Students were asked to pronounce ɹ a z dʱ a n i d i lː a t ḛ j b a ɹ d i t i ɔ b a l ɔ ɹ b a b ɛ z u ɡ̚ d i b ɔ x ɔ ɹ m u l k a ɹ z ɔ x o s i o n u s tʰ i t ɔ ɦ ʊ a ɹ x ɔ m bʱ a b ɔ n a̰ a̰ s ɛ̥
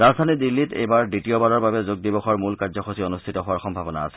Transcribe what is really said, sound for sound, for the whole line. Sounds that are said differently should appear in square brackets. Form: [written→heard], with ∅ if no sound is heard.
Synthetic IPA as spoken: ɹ a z dʱ a n i d i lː [a→i] t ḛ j b a ɹ d i t i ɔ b a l ɔ ɹ b a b ɛ z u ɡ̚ d i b ɔ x ɔ ɹ m u l k a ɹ z ɔ x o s i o n u s tʰ i t ɔ ɦ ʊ a ɹ x ɔ m bʱ a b ɔ n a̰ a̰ s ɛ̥